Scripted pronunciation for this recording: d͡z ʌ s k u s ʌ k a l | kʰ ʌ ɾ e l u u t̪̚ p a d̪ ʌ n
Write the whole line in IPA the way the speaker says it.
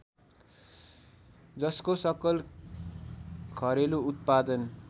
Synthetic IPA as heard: d͡z ʌ s k o s ʌ k ʌ l | kʰ ʌ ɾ e l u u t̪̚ p a d̪ ʌ n